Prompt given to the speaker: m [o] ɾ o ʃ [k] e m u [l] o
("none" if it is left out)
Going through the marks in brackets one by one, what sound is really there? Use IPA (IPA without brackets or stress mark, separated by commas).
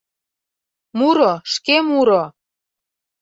u, k, ɾ